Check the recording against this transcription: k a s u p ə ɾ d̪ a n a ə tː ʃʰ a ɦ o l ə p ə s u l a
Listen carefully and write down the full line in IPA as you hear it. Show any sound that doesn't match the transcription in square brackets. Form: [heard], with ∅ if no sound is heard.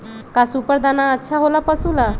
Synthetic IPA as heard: k a s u p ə ɾ d̪ a n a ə tː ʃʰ a ɦ o l [a] p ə s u l a